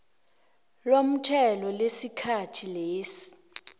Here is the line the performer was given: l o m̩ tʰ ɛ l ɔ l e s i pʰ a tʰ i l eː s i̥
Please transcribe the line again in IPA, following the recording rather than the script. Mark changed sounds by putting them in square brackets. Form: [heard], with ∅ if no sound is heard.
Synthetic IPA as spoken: l o m̩ tʰ ɛ l ɔ l e s i [kʰ] a tʰ i l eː s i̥